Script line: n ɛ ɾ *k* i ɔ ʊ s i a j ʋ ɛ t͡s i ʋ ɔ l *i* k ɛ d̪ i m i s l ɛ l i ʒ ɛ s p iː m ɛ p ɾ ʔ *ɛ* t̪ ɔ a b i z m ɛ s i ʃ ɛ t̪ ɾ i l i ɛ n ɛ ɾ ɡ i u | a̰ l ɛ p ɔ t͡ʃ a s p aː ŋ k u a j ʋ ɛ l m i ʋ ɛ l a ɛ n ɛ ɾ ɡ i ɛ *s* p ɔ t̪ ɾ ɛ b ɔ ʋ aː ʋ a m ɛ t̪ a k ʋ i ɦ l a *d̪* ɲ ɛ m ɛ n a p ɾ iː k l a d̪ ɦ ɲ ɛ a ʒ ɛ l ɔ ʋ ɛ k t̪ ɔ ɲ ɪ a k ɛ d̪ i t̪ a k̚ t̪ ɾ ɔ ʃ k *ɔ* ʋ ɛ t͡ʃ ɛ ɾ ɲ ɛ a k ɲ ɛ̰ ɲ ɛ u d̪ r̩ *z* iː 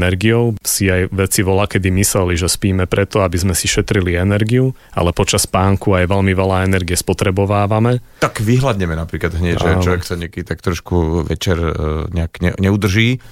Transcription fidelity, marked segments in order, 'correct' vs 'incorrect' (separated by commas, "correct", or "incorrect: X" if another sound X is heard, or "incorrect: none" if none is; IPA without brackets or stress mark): incorrect: ɡ, incorrect: a, correct, correct, correct, incorrect: u, incorrect: ʒ